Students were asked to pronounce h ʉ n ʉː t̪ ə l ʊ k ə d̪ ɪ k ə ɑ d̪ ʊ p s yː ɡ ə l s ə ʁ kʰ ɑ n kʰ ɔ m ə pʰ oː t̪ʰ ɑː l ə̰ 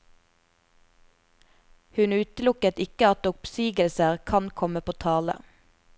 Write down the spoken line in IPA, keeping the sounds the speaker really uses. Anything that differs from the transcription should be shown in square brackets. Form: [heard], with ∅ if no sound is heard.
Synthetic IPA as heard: h ʉ n ʉː t̪ ə l ʊ k ə [t̪] ɪ k ə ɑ [t̪] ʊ p s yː ɡ ə l s ə ʁ kʰ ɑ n kʰ ɔ m ə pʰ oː t̪ʰ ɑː l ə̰